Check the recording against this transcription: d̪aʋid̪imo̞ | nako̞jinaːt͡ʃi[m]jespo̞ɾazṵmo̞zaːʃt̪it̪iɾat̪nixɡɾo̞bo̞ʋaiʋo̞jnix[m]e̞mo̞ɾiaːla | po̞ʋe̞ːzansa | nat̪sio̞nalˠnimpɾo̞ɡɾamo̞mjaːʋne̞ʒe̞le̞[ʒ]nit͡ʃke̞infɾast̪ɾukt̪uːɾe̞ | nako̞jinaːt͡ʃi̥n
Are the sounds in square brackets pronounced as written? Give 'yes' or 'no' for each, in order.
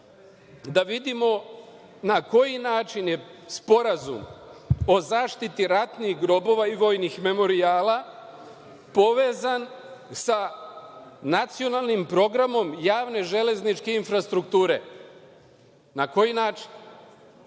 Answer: no, yes, no

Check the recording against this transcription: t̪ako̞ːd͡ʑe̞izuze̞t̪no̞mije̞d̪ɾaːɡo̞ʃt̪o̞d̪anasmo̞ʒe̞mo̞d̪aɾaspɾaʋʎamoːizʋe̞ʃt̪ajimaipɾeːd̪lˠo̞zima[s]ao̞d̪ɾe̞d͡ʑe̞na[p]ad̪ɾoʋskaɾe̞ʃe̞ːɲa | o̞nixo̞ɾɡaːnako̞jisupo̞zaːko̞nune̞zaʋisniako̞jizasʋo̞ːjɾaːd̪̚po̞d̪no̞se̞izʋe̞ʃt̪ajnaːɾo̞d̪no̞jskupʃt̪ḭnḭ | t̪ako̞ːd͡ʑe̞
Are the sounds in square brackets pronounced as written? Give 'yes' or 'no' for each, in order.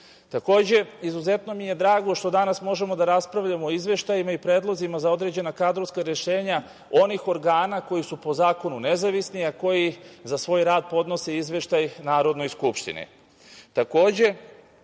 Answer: no, no

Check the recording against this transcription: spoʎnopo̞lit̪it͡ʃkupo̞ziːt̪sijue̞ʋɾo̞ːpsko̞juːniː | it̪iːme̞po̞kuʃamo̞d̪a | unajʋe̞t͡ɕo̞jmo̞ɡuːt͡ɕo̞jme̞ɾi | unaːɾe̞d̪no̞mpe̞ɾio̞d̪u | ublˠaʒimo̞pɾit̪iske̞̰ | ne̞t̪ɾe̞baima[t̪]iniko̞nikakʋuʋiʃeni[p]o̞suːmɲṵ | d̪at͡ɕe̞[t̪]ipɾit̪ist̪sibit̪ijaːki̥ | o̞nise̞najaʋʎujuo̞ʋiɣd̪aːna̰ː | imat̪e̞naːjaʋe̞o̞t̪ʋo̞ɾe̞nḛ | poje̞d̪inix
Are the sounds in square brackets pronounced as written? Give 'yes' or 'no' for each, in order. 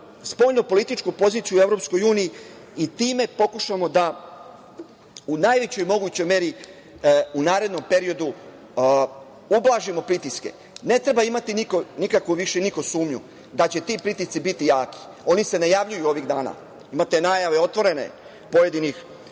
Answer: yes, no, yes

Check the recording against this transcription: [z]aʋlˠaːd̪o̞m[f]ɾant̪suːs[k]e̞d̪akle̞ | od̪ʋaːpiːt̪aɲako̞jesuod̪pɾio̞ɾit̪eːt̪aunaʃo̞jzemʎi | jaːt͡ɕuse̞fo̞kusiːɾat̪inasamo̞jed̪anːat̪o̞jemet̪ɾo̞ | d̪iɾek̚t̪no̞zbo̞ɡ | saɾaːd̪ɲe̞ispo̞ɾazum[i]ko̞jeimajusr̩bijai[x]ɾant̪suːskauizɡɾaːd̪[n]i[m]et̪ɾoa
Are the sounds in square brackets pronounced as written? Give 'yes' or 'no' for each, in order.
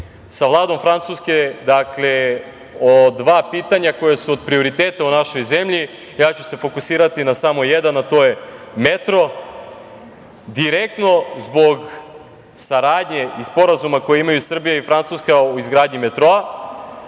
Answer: no, yes, yes, no, no, no, yes

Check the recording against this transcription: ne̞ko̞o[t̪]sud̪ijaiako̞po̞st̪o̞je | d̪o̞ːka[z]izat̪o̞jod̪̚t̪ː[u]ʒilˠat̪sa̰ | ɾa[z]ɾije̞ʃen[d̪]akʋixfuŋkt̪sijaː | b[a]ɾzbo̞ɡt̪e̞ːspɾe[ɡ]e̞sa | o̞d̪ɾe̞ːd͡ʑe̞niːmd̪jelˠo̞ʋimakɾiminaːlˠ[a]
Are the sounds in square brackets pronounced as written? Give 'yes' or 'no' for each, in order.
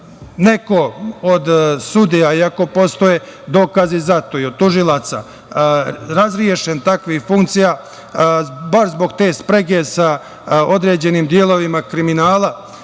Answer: no, yes, yes, yes, no, yes, yes, yes

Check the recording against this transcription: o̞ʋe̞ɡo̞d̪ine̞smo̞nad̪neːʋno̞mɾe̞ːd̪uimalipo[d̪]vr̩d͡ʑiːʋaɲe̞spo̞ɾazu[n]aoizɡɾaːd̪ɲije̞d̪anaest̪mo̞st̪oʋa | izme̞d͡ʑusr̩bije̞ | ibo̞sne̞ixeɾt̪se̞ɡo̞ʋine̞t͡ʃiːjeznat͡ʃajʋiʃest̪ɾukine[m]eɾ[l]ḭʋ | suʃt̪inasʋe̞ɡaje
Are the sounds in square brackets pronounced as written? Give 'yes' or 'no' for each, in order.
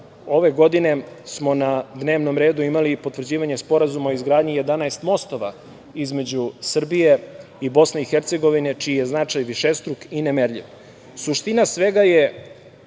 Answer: no, no, yes, no

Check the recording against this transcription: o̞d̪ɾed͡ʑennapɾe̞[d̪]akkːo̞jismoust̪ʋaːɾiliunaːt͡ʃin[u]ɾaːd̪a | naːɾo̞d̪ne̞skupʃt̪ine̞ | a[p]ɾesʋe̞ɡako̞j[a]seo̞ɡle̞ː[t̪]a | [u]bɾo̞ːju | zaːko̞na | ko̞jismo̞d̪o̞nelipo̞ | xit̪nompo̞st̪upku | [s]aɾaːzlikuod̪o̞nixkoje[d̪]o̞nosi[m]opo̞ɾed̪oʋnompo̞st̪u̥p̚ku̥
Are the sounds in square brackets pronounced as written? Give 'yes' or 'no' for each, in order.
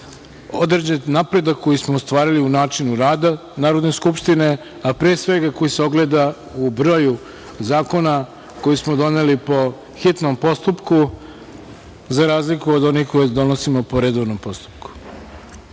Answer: yes, yes, yes, no, no, yes, no, yes, yes

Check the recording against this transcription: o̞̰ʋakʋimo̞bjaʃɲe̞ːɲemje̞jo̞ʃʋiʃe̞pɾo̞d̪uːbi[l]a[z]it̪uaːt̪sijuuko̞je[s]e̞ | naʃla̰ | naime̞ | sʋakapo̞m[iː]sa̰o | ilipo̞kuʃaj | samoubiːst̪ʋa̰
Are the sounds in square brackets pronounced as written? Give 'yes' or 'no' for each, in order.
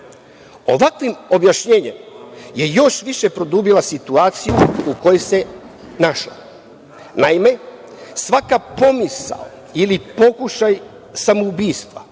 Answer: yes, no, yes, no

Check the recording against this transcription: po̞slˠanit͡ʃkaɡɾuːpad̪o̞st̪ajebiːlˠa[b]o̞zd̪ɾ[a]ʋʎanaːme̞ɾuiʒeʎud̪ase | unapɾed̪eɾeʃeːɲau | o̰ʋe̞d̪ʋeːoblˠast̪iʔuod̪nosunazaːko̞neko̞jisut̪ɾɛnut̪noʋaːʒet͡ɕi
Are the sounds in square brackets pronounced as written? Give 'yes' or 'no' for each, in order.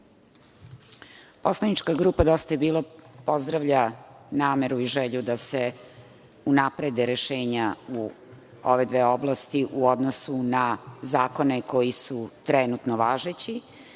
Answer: no, yes

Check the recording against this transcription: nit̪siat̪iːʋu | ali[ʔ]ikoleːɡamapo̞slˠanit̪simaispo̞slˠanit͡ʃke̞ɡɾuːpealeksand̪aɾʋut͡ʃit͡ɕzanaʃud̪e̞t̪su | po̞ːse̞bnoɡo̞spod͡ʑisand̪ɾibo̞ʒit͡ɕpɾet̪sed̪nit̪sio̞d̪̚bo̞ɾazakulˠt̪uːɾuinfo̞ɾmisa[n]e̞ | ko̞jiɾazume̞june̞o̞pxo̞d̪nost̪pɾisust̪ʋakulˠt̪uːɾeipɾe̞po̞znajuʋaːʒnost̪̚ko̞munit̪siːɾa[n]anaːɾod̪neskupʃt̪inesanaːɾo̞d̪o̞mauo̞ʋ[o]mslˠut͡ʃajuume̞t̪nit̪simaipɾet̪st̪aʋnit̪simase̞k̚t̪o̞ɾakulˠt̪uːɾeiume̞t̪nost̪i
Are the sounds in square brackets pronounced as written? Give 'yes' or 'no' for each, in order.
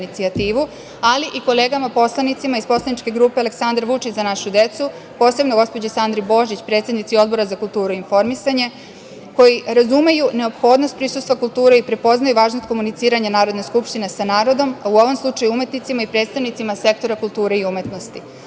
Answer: yes, no, no, yes

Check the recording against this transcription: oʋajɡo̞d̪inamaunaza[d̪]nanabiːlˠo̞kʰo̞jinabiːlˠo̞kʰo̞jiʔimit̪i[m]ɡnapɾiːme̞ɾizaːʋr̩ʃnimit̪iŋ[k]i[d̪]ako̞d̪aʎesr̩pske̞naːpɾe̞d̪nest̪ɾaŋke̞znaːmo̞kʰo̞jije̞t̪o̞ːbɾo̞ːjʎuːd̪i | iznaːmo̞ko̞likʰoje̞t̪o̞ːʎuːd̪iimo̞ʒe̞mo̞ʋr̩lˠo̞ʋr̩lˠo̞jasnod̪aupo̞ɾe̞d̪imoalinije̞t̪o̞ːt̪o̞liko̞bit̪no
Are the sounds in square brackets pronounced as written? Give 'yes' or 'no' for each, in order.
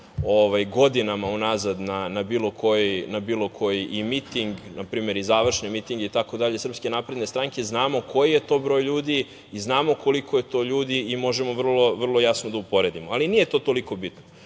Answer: yes, no, no, no

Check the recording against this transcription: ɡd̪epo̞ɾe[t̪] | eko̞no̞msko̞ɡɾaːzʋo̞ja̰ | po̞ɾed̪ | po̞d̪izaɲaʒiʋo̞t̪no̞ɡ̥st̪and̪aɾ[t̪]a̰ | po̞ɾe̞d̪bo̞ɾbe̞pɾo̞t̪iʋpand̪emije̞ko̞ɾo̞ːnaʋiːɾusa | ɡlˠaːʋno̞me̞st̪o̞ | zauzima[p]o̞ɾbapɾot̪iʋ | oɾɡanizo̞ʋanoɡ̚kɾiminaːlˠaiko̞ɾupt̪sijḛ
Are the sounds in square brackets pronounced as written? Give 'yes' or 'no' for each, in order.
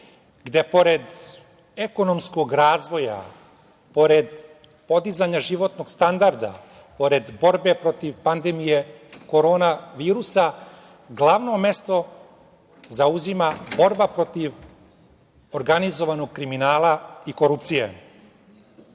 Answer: no, no, no

